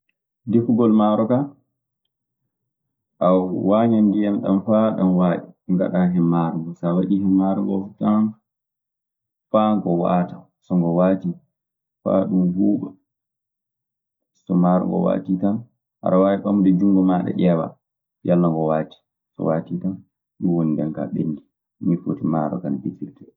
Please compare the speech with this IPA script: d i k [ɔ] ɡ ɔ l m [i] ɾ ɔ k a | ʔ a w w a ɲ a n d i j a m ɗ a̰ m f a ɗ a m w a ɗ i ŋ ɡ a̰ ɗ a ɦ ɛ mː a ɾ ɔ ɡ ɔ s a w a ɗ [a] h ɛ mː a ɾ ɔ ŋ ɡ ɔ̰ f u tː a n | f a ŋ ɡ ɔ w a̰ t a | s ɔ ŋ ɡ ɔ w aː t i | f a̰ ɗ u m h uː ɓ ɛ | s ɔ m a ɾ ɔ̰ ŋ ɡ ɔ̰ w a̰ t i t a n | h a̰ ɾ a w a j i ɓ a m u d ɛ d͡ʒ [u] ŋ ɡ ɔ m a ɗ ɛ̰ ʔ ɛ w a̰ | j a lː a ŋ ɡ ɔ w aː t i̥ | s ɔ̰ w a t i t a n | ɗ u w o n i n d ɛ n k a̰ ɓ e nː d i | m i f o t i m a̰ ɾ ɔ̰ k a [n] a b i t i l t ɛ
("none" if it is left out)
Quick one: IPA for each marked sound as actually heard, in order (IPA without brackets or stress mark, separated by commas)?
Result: u, a, i, u, n